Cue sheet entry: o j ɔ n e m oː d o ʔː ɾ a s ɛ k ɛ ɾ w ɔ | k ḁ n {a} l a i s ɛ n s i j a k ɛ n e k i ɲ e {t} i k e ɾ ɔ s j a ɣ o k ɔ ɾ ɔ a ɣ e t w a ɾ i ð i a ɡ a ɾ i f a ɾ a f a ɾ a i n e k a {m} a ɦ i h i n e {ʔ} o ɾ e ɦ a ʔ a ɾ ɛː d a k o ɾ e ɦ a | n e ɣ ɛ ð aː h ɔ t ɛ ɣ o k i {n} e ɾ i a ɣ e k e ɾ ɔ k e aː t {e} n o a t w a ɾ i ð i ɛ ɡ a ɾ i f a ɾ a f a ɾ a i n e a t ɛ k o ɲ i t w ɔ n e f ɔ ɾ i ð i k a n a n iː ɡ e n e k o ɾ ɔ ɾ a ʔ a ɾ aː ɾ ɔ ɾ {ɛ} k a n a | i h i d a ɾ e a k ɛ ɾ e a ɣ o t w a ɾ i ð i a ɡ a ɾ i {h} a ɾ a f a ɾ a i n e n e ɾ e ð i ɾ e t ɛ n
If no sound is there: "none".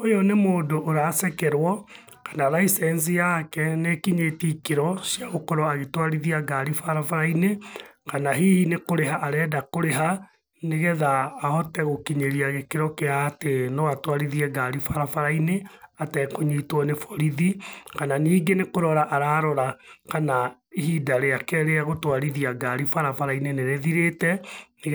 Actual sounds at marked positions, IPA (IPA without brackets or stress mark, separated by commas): a, t, n, k, ɲ, e, a, f